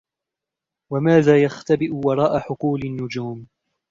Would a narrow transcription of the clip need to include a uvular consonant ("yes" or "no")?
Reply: yes